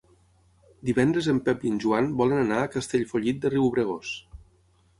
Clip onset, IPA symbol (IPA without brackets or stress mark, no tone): d̪